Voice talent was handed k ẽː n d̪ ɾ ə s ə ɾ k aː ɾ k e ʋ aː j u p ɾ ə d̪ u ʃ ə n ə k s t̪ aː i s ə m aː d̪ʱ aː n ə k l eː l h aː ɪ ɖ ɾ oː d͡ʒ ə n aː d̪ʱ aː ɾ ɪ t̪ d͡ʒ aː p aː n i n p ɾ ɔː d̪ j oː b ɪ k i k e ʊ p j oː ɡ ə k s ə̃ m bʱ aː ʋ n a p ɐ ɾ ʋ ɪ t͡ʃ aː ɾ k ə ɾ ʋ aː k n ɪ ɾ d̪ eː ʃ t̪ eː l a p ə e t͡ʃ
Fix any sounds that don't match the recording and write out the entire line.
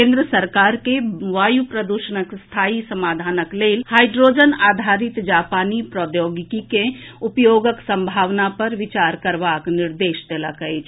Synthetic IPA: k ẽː n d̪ ɾ ə s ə ɾ k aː ɾ k e ʋ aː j u p ɾ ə d̪ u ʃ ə n ə k s t̪ʰ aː i s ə m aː d̪ʱ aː n ə k l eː l h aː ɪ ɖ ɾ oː d͡ʒ ə n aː d̪ʱ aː ɾ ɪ t̪ d͡ʒ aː p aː n i p ɾ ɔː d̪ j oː ɡ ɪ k i k e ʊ p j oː ɡ ə k s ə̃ m bʱ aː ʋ n a p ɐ ɾ ʋ ɪ t͡ʃ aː ɾ k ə ɾ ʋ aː k n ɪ ɾ d̪ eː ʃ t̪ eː l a k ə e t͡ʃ